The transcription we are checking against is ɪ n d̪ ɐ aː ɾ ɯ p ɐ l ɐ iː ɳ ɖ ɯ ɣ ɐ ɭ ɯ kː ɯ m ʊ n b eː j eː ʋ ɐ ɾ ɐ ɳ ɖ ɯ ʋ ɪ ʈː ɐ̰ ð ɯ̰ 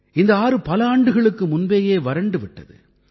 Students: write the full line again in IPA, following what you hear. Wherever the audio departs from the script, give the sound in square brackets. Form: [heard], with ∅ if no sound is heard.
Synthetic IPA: ɪ n d̪ ɐ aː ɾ ɯ p ɐ l ɐ [aː] ɳ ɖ ɯ ɣ ɐ ɭ ɯ kː ɯ m ʊ n b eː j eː ʋ ɐ ɾ ɐ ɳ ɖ ɯ ʋ ɪ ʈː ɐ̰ ð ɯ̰